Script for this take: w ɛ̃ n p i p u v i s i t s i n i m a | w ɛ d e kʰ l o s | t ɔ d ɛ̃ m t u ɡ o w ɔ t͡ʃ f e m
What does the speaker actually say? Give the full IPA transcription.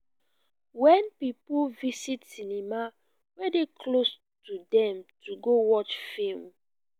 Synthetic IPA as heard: w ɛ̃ n p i p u v i s i t s i n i m a | w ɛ d e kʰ l o s | t u d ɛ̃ m t u ɡ o w ɔ t͡ʃ f e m

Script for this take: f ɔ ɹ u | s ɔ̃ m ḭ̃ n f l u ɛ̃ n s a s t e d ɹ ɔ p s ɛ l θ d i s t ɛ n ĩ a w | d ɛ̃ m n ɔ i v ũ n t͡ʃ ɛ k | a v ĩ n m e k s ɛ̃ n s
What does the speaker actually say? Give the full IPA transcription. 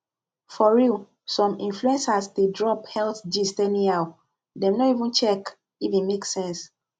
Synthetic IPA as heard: f ɔ ɹ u | s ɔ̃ m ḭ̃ n f l u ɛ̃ n s a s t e d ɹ ɔ p h ɛ l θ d i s t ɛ n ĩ a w | d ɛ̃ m n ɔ i v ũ n t͡ʃ ɛ k | i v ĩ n m e k s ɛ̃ n s

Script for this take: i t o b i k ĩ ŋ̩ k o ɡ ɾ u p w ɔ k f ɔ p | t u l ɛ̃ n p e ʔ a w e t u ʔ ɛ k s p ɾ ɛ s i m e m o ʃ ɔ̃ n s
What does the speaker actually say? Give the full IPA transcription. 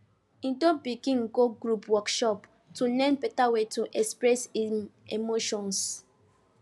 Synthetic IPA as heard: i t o b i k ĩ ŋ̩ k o ɡ ɾ u p w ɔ k ʃ ɔ p | t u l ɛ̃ n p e t a w e t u ʔ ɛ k s p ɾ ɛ s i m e m o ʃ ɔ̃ n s

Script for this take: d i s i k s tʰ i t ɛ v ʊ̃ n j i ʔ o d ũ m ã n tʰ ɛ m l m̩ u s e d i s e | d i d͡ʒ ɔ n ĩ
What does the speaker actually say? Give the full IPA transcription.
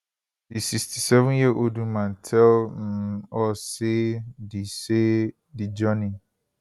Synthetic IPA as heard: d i s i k s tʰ i s ɛ v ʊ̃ n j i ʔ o d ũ m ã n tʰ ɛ l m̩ ɔ s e d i s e | d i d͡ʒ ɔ n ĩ

